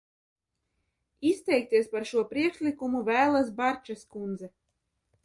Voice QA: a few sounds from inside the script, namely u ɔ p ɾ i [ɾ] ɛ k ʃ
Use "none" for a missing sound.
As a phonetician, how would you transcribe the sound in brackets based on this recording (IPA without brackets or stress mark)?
none